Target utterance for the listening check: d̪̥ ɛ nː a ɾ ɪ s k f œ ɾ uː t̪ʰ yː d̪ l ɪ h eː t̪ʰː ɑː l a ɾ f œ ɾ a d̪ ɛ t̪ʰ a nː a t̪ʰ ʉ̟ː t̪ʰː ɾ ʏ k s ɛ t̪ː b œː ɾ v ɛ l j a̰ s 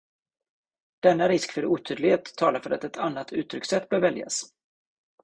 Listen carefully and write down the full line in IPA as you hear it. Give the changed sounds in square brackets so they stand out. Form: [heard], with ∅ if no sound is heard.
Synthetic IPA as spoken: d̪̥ ɛ nː a ɾ ɪ s k f œ ɾ uː t̪ʰ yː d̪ l ɪ h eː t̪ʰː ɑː l a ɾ f œ ɾ a [t̪] ɛ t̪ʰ a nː a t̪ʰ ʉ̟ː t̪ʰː ɾ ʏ k s ɛ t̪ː b œː ɾ v ɛ l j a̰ s